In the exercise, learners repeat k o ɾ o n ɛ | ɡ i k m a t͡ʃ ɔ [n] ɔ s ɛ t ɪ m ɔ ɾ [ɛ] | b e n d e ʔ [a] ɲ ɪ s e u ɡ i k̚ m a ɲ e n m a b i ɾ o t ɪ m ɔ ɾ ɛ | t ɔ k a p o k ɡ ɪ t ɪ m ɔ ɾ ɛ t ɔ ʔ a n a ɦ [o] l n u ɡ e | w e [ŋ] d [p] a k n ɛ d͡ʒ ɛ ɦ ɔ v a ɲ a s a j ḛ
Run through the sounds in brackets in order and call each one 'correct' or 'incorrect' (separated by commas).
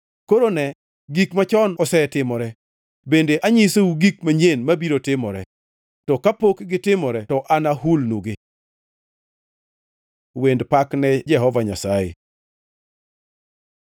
correct, correct, correct, incorrect, incorrect, correct